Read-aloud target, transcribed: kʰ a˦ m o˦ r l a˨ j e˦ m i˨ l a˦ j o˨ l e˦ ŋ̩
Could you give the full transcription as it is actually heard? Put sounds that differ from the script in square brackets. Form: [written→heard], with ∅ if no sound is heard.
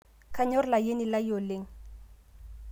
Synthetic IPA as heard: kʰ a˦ [m→ɲ] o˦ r l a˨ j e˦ [m→n] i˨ l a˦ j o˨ l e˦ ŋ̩

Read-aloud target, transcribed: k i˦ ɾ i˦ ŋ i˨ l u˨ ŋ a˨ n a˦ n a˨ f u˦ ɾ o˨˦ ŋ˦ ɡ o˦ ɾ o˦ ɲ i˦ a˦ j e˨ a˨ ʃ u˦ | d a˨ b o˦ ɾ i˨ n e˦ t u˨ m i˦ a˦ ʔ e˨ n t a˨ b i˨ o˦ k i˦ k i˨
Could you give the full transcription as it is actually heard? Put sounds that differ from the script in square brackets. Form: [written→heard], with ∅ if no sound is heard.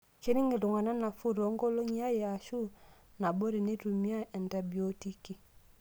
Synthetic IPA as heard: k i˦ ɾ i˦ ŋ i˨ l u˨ ŋ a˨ n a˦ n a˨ f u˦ ɾ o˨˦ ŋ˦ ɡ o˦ [ɾ→l] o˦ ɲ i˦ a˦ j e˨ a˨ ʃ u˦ | [d→n] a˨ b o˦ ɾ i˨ n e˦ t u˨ m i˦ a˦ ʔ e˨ n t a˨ b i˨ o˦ [k→t] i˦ k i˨

